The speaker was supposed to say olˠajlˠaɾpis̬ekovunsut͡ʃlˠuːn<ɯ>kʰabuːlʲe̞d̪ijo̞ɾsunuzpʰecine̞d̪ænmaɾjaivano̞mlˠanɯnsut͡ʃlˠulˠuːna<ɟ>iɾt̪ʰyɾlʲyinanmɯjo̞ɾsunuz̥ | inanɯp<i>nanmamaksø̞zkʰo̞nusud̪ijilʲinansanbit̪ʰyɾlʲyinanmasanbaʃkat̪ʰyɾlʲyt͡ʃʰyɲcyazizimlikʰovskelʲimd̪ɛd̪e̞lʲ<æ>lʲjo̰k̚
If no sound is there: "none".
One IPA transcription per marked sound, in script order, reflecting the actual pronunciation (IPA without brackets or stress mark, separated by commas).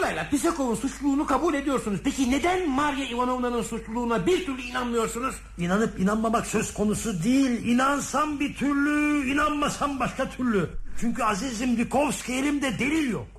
u, b, i, i